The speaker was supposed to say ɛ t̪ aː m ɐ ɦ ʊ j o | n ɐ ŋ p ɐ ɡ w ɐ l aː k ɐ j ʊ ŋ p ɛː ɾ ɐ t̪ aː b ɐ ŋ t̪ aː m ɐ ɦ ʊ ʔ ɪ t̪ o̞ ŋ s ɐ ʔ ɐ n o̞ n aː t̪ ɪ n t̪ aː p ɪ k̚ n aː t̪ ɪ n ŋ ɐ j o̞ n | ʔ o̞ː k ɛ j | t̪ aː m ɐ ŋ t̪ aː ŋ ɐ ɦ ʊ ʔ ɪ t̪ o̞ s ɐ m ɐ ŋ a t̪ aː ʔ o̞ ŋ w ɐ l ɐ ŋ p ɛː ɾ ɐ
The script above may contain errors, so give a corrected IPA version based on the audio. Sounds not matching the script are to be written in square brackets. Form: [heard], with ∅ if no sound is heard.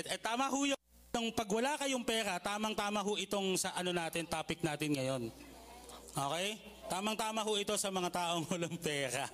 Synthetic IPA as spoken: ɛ t̪ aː m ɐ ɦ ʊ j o | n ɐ ŋ p ɐ ɡ w ɐ l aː k ɐ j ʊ ŋ p ɛː ɾ ɐ t̪ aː [m] ɐ ŋ t̪ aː m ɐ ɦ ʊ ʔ ɪ t̪ o̞ ŋ s ɐ ʔ ɐ n o̞ n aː t̪ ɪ n t̪ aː p ɪ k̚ n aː t̪ ɪ n ŋ ɐ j o̞ n | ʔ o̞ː k ɛ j | t̪ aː m ɐ ŋ t̪ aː [m] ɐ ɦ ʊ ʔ ɪ t̪ o̞ s ɐ m ɐ ŋ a t̪ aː ʔ o̞ ŋ w ɐ l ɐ ŋ p ɛː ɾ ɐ